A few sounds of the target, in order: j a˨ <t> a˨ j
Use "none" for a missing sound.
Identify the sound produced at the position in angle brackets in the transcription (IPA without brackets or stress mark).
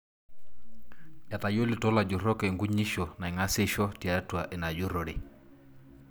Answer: t